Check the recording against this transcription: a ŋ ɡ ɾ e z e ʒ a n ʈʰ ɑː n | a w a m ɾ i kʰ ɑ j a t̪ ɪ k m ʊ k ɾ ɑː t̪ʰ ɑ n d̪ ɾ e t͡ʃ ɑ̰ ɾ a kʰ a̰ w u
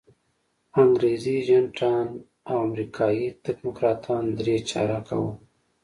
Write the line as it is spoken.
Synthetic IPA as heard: a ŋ ɡ ɾ e z i ʒ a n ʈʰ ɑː n | a w a m ɾ i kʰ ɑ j i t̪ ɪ k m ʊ k ɾ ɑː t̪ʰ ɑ n d̪ ɾ e t͡ʃ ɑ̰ ɾ a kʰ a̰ w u